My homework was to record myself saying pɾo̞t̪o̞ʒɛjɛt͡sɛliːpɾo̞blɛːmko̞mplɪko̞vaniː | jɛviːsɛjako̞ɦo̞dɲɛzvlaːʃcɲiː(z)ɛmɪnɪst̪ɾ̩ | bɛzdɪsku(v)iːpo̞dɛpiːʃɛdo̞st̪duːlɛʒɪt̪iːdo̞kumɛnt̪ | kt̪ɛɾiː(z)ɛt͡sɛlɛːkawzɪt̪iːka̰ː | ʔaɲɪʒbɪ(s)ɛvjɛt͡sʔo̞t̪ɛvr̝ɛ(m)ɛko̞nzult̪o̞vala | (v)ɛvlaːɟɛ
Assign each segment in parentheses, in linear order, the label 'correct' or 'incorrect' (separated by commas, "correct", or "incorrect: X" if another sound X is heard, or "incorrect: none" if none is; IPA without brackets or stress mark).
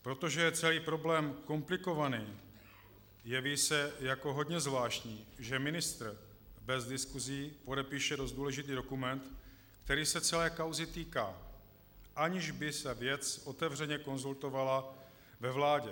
incorrect: ʒ, incorrect: z, incorrect: s, correct, incorrect: ɲ, correct